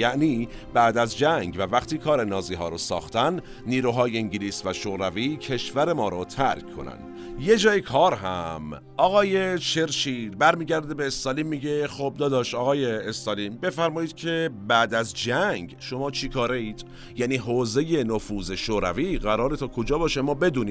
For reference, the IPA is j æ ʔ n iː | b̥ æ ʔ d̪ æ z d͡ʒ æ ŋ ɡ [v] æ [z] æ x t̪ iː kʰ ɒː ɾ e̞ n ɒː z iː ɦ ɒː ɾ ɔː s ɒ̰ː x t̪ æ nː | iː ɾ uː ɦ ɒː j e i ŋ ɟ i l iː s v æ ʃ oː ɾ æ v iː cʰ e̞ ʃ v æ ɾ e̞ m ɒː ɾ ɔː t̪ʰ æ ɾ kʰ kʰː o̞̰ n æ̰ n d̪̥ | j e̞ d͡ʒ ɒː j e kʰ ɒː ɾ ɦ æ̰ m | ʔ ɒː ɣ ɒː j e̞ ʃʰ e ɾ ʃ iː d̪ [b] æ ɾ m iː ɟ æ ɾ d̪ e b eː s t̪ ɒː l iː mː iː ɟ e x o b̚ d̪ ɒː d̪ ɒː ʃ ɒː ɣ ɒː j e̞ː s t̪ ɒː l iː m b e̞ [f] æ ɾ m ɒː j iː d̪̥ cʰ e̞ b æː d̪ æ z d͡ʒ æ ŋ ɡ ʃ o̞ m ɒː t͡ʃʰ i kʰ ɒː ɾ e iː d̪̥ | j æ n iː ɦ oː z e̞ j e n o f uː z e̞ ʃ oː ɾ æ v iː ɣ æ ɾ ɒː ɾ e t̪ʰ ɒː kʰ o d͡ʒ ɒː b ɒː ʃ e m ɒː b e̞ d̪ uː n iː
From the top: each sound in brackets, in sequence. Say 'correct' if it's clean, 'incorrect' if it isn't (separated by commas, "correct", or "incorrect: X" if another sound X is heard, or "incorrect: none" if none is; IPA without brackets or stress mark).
correct, incorrect: v, correct, correct